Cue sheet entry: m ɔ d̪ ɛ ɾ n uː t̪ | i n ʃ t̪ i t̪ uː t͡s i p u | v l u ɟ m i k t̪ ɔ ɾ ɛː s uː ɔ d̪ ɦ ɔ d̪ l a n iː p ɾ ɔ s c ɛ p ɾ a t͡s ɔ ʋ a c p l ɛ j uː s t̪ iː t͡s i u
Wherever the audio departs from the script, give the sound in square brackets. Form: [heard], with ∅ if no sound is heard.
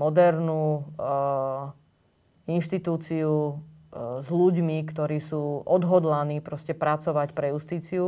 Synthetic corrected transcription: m ɔ d̪ ɛ ɾ n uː [∅] | i n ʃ t̪ i t̪ uː t͡s i [∅] u | [z] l u ɟ m i k t̪ ɔ ɾ [iː] s uː ɔ d̪ ɦ ɔ d̪ l a n iː p ɾ ɔ s c ɛ p ɾ a t͡s ɔ ʋ a c p [ɾ] ɛ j [u] s t̪ iː t͡s i u